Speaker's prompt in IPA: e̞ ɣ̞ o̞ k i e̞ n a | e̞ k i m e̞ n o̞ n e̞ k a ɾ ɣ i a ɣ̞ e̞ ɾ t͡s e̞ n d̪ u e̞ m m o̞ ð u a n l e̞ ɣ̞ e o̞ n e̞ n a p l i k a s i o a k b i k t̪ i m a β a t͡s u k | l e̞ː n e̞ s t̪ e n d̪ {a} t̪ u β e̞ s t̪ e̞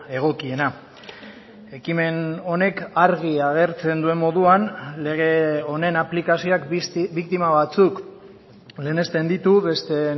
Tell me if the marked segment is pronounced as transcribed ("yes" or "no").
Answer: no